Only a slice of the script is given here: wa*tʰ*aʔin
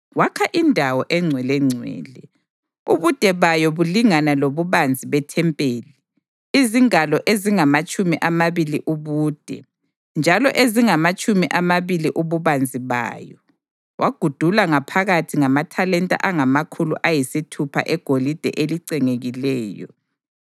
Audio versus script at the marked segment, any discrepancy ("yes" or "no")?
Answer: yes